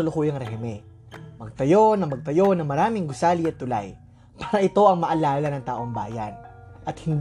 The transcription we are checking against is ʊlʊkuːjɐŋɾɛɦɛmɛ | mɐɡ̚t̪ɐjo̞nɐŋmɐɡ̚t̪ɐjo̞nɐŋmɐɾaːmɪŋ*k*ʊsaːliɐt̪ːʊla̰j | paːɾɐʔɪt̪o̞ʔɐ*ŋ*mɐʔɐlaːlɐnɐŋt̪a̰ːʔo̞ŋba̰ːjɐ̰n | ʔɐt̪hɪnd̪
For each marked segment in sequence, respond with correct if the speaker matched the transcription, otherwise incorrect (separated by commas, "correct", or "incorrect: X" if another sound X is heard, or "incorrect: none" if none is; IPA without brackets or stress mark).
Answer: incorrect: ɡ, correct